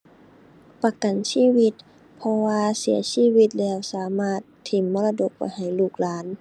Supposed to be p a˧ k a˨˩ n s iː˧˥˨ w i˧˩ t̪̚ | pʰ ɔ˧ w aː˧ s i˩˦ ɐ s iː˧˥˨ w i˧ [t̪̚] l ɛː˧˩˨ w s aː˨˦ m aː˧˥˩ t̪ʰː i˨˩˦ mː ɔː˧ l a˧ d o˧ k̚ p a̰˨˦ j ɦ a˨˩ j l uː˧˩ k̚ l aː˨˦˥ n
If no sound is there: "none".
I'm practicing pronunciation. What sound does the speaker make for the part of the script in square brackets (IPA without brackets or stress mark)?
t̪̚